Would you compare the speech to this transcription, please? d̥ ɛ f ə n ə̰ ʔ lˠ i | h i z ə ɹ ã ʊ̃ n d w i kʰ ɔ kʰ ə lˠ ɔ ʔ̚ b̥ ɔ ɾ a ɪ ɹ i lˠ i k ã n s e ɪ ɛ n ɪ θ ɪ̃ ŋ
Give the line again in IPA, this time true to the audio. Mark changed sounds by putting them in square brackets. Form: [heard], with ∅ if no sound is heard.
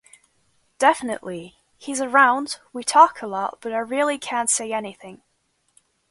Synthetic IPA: d̥ ɛ f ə n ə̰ ʔ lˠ i | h i z ə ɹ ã ʊ̃ n d w i [tʰ] ɔ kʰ ə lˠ ɔ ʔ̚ b̥ [ʌ] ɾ a ɪ ɹ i lˠ i [kʰ] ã n s e ɪ ɛ n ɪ θ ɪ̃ ŋ

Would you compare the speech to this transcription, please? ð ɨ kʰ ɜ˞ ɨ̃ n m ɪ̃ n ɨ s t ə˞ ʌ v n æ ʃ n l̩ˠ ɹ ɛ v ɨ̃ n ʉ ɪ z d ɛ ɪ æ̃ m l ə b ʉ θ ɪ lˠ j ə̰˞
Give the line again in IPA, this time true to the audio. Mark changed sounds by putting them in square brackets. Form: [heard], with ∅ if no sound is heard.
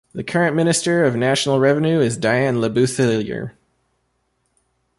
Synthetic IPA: ð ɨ kʰ ɜ˞ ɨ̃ n m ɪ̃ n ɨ s t ə˞ ʌ v n æ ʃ n l̩ˠ ɹ ɛ v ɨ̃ n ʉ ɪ z d [a] ɪ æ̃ [n] l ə b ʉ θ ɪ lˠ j ə̰˞

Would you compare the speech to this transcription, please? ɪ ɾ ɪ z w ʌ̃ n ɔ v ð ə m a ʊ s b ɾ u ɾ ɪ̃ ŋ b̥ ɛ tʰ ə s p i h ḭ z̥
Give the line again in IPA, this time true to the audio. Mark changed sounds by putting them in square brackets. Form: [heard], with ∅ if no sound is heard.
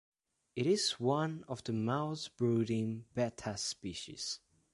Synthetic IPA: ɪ ɾ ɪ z w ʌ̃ n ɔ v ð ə m a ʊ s b [ɹ] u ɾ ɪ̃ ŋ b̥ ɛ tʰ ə s p i [ʃ] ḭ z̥

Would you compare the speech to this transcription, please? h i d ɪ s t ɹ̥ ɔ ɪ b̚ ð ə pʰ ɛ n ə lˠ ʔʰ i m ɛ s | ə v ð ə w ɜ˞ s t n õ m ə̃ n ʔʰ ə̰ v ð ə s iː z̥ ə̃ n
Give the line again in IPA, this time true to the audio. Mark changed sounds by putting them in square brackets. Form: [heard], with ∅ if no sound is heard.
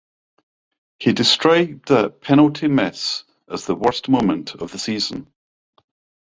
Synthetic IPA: h i d ɪ s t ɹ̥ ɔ ɪ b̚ ð ə pʰ ɛ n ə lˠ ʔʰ i m ɛ s | ə [z] ð ə w ɜ˞ s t [m] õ m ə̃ n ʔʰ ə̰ v ð ə s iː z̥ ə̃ n

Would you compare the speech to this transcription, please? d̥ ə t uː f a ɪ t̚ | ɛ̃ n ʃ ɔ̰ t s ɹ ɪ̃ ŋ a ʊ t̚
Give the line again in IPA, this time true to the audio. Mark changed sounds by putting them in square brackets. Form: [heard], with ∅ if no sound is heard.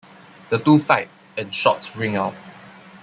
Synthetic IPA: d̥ ə t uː f a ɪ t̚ | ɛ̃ n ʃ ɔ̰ t s ɹ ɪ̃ ŋ a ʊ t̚

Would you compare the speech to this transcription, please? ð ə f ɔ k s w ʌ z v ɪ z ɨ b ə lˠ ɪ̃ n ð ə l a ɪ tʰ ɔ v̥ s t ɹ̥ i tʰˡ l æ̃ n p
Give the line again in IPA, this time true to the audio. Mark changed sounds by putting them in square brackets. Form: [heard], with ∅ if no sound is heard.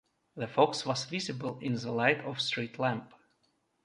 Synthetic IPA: ð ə f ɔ k s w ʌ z v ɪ z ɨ b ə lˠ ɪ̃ n ð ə l a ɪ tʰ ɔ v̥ s t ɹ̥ i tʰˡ l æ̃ [m] p

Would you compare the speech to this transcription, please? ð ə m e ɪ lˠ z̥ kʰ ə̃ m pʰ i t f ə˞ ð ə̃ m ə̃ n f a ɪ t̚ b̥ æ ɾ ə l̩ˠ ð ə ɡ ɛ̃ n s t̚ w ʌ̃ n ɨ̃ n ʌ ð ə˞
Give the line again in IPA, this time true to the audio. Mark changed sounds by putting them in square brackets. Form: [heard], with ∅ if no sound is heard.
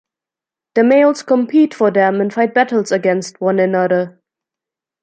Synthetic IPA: ð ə m e ɪ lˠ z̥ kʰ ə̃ m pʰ i t f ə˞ ð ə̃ m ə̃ n f a ɪ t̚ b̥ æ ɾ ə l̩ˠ [z] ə ɡ ɛ̃ n s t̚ w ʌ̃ n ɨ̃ n ʌ ð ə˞

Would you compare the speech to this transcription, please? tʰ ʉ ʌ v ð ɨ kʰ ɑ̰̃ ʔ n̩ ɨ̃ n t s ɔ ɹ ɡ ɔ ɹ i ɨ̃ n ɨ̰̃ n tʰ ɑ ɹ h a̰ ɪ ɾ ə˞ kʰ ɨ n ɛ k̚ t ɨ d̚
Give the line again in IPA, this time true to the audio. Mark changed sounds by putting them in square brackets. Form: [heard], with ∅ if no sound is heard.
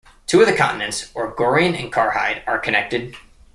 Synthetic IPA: tʰ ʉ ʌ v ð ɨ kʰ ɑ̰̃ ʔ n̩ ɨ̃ n t s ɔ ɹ ɡ ɔ ɹ i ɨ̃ n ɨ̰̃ n [kʰ] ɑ ɹ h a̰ ɪ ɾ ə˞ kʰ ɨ n ɛ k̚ t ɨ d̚

